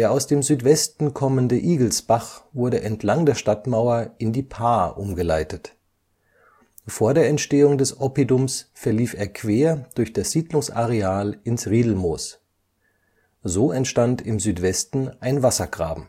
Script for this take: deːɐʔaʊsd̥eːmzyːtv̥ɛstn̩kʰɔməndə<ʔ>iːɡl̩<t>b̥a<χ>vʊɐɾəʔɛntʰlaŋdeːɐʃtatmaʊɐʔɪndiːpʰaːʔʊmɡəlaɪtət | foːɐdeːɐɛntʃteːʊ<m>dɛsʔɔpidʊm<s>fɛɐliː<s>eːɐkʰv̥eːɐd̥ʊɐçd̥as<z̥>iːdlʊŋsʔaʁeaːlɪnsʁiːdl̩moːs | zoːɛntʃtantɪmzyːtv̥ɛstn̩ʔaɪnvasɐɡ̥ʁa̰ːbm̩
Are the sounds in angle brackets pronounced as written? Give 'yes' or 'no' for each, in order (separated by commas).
yes, no, yes, no, yes, no, yes